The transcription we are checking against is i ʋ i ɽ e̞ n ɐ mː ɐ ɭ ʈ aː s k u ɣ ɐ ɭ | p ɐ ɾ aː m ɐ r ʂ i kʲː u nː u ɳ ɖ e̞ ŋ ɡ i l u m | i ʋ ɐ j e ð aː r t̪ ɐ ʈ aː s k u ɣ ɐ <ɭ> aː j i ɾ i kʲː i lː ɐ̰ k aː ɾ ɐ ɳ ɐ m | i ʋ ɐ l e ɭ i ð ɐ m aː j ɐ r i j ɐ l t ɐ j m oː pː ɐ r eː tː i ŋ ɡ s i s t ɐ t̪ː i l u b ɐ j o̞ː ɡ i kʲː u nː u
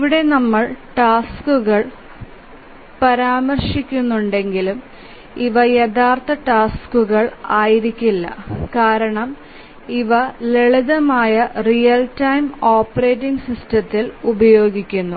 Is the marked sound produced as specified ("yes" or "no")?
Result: yes